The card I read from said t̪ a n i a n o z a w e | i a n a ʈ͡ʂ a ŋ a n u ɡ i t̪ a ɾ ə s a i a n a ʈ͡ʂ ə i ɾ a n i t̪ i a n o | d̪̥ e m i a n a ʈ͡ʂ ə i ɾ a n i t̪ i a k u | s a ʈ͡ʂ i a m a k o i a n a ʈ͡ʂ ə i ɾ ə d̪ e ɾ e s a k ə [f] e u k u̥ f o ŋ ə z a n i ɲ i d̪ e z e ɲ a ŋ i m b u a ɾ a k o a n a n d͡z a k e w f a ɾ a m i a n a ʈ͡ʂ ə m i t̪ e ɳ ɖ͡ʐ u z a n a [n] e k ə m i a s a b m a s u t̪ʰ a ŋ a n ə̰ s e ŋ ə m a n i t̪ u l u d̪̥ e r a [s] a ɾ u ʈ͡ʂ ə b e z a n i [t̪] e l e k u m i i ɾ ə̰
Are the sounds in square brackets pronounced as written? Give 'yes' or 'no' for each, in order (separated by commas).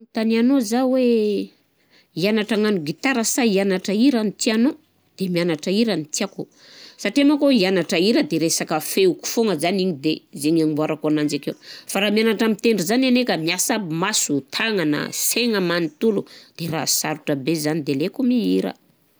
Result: yes, yes, yes, no